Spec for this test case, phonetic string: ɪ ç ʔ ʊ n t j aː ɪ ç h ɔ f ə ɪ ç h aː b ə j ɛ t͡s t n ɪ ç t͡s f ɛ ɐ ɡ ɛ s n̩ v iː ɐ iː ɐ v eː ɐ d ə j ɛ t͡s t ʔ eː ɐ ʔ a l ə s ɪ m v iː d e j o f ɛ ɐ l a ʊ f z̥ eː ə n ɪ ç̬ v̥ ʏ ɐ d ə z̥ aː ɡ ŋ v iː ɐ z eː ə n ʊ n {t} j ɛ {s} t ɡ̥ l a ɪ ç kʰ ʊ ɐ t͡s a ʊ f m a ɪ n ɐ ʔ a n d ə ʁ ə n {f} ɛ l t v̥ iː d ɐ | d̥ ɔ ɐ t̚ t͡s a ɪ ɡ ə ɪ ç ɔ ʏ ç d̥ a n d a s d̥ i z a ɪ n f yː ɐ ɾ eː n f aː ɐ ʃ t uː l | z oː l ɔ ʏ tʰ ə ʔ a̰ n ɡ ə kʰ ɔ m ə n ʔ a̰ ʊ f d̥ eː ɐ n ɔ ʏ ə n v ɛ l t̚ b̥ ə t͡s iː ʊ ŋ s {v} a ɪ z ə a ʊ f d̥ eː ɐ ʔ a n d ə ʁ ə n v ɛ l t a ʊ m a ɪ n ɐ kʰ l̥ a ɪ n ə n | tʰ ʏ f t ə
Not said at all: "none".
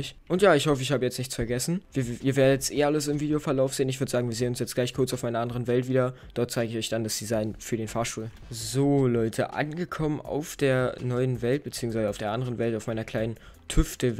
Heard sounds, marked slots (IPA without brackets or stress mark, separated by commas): s, t͡s, v, v